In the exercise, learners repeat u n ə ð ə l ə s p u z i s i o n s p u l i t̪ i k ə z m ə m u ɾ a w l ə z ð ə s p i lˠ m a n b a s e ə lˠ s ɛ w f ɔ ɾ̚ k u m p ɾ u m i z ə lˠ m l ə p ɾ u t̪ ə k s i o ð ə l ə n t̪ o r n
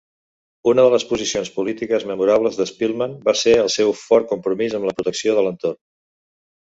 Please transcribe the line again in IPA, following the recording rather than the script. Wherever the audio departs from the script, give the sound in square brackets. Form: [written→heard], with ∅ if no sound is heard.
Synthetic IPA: u n ə ð ə l ə s p u z i s i o n s p u l i t̪ i k ə z m ə m u ɾ a [w→β] l ə z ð ə s p i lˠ m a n b a s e ə lˠ s ɛ w f ɔ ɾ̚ k u m p ɾ u m i z ə [lˠ→∅] m l ə p ɾ u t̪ ə k s i o ð ə l ə n t̪ o r n